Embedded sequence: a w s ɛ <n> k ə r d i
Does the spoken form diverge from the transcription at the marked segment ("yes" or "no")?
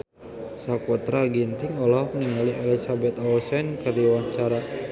no